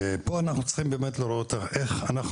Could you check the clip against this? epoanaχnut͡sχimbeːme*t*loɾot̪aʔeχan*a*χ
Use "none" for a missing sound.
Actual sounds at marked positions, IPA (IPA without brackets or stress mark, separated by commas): t, a